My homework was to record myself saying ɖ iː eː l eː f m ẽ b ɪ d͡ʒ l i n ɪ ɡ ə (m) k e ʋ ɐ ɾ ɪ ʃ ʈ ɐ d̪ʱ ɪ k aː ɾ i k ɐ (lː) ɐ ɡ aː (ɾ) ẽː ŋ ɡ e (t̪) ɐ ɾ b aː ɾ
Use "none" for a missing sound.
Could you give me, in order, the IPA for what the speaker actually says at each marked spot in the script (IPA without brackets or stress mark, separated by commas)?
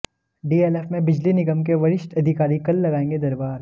m, lː, none, d̪